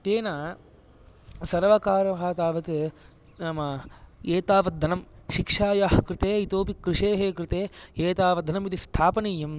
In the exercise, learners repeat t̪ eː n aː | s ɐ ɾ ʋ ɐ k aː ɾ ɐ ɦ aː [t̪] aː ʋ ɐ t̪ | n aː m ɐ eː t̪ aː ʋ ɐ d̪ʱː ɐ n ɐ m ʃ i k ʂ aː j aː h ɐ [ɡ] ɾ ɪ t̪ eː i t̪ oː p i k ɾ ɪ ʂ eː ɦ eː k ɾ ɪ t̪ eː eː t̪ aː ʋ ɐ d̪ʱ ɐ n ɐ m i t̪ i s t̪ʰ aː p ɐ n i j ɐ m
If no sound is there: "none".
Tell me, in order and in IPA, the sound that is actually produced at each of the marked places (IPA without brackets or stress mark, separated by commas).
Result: t̪, k